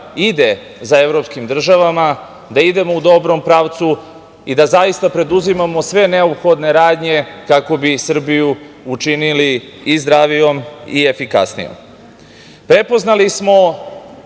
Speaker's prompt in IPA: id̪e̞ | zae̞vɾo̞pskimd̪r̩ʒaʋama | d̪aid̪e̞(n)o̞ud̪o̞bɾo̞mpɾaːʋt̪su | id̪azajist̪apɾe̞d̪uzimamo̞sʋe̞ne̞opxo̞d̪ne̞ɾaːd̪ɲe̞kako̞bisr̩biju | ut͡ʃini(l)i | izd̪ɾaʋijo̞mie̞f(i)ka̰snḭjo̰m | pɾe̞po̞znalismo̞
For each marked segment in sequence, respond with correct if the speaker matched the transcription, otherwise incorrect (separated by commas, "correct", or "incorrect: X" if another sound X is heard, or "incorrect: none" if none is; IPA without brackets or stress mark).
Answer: incorrect: m, correct, correct